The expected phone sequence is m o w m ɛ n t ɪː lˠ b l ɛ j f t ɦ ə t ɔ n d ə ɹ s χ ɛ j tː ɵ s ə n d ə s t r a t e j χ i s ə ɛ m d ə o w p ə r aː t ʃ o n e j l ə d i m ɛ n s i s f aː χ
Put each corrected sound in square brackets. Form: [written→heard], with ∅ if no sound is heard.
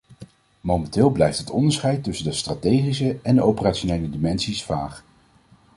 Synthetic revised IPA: m o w m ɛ n t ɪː lˠ b l ɛ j f t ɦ ə t ɔ n d ə ɹ s χ ɛ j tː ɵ s ə n d ə s t r a t e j χ i s ə ɛ [m→n] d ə o w p ə r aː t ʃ o n e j l ə d i m ɛ n s i s f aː χ